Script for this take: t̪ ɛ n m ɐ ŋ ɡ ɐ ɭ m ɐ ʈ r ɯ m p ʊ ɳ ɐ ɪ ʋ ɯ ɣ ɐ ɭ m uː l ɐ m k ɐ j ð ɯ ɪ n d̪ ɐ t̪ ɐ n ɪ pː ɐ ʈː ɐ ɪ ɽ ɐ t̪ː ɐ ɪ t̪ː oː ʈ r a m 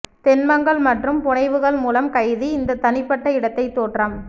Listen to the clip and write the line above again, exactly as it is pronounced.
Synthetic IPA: t̪ ɛ n m ɐ ŋ ɡ ɐ ɭ m ɐ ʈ r ɯ m p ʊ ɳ ɐ ɪ ʋ ɯ ɣ ɐ ɭ m uː l ɐ m k ɐ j ð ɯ ɪ n d̪ ɐ t̪ ɐ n ɪ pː ɐ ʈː ɐ ɪ ɽ ɐ t̪ː ɐ ɪ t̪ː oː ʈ r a m

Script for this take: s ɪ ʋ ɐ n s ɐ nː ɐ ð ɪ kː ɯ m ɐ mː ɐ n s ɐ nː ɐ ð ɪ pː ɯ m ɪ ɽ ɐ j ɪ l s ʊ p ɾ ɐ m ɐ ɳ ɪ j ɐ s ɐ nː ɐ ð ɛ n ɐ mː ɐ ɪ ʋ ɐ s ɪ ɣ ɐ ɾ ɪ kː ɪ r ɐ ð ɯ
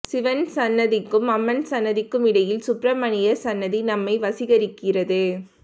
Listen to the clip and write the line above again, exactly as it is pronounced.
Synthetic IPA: s ɪ ʋ ɐ n s ɐ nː ɐ ð ɪ kː ɯ m ɐ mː ɐ n s ɐ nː ɐ ð ɪ kː ɯ m ɪ ɽ ɐ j ɪ l s ʊ p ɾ ɐ m ɐ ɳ ɪ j ɐ s ɐ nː ɐ ð i n ɐ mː ɐ ɪ ʋ ɐ s ɪ ɣ ɐ ɾ ɪ kː ɪ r ɐ ð ɯ

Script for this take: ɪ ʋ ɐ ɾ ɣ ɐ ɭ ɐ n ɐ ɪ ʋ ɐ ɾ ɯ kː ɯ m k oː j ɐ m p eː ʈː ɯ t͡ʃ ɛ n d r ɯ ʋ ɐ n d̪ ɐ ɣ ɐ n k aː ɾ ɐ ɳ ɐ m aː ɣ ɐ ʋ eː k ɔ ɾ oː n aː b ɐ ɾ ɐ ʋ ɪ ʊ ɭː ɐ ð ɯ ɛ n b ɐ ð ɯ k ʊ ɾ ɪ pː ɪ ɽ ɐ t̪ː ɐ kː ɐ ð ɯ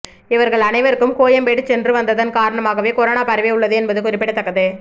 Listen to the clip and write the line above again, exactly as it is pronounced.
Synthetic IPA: ɪ ʋ ɐ ɾ ɣ ɐ ɭ ɐ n ɐ ɪ ʋ ɐ ɾ ɯ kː ɯ m k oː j ɐ m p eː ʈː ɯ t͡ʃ ɛ n d r ɯ ʋ ɐ n d̪ ɐ ð ɐ n k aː ɾ ɐ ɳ ɐ m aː ɣ ɐ ʋ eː k ɔ ɾ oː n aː p ɐ ɾ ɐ ʋ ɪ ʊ ɭː ɐ ð ɯ ɛ n b ɐ ð ɯ k ʊ ɾ ɪ pː ɪ ɽ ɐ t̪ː ɐ kː ɐ ð ɯ

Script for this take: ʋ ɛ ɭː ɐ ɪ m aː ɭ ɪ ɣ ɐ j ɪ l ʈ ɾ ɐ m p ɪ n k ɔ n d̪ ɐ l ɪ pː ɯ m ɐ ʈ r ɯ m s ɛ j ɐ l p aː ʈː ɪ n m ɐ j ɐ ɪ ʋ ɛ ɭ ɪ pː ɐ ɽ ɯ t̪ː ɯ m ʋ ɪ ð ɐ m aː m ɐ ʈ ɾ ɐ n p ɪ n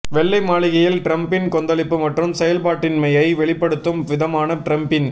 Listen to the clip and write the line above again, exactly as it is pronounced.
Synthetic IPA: ʋ ɛ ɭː ɐ ɪ m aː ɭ ɪ ɣ ɐ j ɪ l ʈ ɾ ɐ m p ɪ n k ɔ n d̪ ɐ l ɪ pː ɯ m ɐ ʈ r ɯ m s ɛ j ɐ l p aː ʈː ɪ n m ɐ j ɐ ɪ ʋ ɛ ɭ ɪ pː ɐ ɽ ɯ t̪ː ɯ m ʋ ɪ ð ɐ m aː n ɐ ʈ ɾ ɐ m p ɪ n

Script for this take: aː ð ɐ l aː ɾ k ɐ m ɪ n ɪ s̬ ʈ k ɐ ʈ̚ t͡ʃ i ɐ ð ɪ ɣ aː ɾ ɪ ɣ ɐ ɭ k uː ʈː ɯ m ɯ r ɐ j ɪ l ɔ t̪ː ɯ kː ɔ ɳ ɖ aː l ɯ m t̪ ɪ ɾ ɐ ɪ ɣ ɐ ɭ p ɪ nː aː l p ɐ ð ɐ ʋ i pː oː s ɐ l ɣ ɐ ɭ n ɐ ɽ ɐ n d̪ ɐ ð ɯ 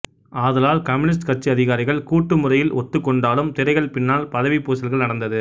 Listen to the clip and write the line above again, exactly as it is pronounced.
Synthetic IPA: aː ð ɐ l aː l k ɐ m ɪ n ɪ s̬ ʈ k ɐ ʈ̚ t͡ʃ i ɐ ð ɪ ɣ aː ɾ ɪ ɣ ɐ ɭ k uː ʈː ɯ m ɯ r ɐ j ɪ l ɔ t̪ː ɯ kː ɔ ɳ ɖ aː l ɯ m t̪ ɪ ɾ ɐ ɪ ɣ ɐ ɭ p ɪ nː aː l p ɐ ð ɐ ʋ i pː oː s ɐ l ɣ ɐ ɭ n ɐ ɽ ɐ n d̪ ɐ ð ɯ

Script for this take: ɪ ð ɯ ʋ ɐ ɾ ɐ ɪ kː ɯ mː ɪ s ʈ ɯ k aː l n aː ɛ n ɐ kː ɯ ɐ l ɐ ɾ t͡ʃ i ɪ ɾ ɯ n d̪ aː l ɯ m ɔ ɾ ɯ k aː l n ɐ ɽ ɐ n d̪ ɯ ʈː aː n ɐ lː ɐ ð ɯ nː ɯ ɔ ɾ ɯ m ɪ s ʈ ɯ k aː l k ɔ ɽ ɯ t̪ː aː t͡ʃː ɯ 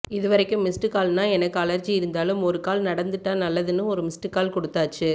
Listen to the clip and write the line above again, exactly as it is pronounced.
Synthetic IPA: ɪ ð ɯ ʋ ɐ ɾ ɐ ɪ kː ɯ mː ɪ s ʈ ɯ k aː l n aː ɛ n ɐ kː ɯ ɐ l ɐ ɾ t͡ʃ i ɪ ɾ ɯ n d̪ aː l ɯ m ɔ ɾ ɯ k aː l n ɐ ɽ ɐ n d̪ ɯ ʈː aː n ɐ lː ɐ ð ɯ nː ɯ ɔ ɾ ɯ m ɪ s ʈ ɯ k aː l k ɔ ɽ ɯ t̪ː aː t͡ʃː ɯ

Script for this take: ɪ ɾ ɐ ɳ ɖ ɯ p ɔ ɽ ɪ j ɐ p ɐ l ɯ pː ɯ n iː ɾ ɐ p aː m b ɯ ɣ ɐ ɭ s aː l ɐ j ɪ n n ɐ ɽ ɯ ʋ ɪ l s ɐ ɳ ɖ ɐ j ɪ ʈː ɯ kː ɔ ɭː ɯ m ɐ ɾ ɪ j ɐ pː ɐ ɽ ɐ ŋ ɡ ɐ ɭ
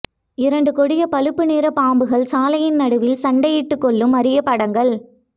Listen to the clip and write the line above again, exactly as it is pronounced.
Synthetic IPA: ɪ ɾ ɐ ɳ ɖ ɯ k ɔ ɽ ɪ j ɐ p ɐ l ɯ pː ɯ n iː ɾ ɐ p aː m b ɯ ɣ ɐ ɭ s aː l ɐ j ɪ n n ɐ ɽ ɯ ʋ ɪ l s ɐ ɳ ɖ ɐ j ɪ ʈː ɯ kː ɔ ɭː ɯ m ɐ ɾ ɪ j ɐ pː ɐ ɽ ɐ ŋ ɡ ɐ ɭ

